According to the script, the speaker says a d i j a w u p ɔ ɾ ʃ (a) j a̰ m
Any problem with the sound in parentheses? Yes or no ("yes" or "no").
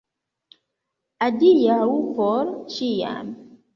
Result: yes